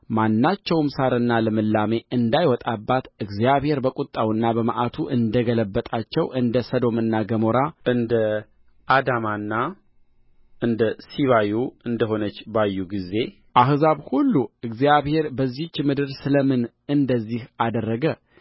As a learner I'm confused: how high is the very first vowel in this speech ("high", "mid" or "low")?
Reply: low